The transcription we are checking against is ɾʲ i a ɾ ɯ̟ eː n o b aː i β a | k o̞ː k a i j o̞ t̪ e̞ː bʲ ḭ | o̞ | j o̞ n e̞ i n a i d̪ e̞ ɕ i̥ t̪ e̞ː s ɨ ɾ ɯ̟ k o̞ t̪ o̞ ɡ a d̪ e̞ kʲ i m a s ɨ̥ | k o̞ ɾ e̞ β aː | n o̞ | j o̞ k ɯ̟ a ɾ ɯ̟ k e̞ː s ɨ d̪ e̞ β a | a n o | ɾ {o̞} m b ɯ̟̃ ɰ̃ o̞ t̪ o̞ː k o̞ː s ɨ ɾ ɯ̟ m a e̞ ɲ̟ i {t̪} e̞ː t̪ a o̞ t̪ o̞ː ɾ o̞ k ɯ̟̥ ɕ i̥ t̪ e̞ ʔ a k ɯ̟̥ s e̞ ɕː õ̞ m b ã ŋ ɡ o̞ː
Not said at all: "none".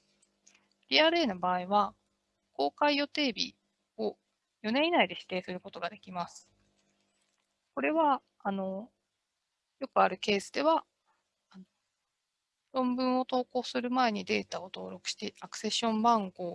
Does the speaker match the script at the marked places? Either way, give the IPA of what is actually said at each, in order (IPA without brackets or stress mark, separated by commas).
õ̞, d̪